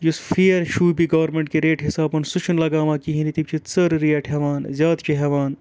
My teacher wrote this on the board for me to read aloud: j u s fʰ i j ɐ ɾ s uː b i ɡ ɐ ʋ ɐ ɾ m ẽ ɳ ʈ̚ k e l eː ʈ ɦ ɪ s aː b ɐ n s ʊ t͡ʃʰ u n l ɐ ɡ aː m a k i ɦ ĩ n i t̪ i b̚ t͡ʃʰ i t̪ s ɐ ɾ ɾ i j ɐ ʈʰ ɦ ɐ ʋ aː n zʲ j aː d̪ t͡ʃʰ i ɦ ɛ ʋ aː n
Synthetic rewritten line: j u s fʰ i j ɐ ɾ ʃ uː b i ɡ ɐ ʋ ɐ ɾ m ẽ ɳ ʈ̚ k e ɾ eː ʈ ɦ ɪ s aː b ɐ n s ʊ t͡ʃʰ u n l ɐ ɡ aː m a k i ɦ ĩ n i t̪ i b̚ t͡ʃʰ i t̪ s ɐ ɾ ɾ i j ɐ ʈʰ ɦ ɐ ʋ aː n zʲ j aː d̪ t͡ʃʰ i ɦ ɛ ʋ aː n